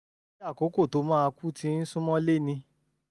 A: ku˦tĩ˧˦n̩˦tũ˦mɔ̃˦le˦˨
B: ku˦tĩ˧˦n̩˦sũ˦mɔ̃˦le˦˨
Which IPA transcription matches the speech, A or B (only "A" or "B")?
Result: B